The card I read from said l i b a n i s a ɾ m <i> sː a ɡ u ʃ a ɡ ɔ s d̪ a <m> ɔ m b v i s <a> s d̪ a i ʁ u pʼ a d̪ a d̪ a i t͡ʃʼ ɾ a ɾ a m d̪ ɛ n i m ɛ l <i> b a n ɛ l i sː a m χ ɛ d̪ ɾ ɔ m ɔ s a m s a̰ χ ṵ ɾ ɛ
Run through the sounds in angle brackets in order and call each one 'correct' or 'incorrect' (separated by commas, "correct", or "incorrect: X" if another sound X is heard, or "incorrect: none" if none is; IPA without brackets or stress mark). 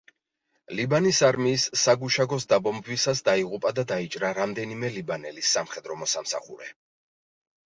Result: incorrect: iː, incorrect: b, correct, correct